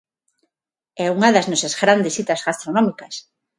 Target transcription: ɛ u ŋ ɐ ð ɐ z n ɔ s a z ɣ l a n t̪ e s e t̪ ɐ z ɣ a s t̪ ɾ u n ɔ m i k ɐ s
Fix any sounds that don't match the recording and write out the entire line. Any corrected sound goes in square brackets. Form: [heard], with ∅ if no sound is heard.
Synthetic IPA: ɛ u ŋ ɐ ð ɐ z n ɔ s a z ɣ [ɾ] a n [d̪] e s [i] t̪ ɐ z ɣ a s t̪ ɾ [o] n ɔ m i k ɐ s